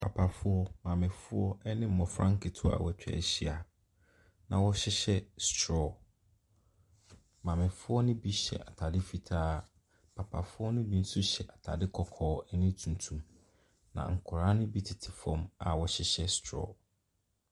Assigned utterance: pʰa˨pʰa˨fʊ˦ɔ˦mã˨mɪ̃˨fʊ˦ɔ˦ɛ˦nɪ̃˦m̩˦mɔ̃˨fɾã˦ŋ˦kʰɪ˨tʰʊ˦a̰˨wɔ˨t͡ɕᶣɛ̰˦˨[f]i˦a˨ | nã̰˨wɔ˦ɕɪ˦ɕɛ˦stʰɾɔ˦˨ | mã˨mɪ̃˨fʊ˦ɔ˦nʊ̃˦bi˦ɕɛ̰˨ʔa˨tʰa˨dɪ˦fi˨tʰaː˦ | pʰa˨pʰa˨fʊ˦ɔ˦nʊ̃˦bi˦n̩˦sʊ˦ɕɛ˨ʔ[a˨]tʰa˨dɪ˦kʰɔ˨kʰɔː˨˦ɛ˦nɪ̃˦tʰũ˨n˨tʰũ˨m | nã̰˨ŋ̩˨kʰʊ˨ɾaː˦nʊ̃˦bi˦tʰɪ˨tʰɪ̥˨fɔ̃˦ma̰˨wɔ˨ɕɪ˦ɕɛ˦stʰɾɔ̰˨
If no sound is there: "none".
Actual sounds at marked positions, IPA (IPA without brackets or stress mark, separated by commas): ɕ, a˨